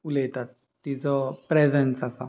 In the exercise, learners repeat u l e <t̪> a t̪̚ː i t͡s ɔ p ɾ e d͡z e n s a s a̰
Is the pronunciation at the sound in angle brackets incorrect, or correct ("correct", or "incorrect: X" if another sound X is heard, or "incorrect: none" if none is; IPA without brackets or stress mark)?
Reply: correct